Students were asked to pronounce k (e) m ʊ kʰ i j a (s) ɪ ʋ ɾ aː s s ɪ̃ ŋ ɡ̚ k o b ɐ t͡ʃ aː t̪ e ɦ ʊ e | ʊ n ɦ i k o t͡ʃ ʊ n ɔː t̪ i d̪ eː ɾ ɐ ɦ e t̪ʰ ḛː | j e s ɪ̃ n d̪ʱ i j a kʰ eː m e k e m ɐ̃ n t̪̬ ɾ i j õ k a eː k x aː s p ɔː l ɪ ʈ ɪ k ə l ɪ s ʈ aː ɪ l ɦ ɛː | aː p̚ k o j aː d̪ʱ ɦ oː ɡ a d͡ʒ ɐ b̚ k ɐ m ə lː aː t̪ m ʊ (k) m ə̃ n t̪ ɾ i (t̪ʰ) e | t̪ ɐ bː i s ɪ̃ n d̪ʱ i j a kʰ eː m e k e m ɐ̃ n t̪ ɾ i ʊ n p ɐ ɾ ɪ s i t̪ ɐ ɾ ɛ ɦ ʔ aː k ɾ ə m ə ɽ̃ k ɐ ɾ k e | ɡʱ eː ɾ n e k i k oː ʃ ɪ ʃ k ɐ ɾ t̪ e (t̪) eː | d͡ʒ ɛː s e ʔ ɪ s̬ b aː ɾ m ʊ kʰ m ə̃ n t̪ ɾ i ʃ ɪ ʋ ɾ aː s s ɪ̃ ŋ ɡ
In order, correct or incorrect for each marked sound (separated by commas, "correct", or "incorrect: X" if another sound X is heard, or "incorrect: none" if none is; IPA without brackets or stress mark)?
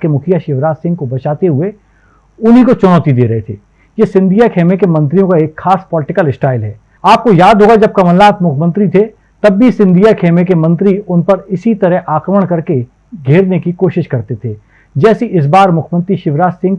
correct, incorrect: ʃ, incorrect: kʰ, correct, incorrect: t̪ʰ